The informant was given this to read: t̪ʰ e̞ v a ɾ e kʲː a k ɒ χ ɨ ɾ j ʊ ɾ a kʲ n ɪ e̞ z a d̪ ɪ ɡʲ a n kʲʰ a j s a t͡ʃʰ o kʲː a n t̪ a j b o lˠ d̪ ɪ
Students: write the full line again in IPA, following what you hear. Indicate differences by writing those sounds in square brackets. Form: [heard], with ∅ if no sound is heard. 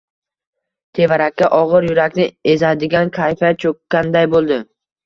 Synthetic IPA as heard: t̪ʰ e̞ v a ɾ [a] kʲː a [ʔ] ɒ [ʁ] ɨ ɾ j ʊ ɾ a kʲ n ɪ e̞ z a d̪ ɪ ɡʲ a n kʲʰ a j [f] a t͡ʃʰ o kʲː a n [d̪] a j b o lˠ d̪ ɪ